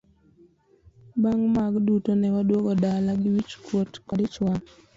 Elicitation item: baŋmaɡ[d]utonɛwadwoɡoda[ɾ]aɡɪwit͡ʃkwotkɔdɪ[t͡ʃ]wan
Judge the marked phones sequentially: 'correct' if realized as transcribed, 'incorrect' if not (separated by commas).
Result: correct, incorrect, correct